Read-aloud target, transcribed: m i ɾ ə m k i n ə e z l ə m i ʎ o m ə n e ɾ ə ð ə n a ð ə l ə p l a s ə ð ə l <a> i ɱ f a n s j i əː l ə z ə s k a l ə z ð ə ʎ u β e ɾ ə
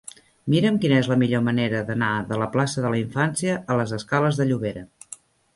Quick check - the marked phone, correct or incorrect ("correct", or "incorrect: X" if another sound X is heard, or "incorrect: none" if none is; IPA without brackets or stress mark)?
incorrect: ə